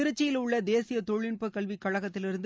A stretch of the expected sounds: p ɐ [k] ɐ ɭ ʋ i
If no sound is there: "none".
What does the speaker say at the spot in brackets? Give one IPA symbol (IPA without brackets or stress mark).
k